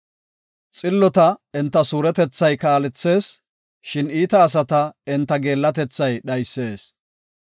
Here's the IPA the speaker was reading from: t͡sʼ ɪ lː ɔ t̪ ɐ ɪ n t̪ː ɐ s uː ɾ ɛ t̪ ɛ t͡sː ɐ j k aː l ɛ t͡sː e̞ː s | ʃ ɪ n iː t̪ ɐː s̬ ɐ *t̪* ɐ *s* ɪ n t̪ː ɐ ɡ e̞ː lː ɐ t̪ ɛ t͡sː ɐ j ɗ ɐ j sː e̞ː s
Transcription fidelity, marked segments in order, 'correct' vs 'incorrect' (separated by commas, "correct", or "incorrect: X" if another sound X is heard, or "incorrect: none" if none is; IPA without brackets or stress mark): correct, incorrect: none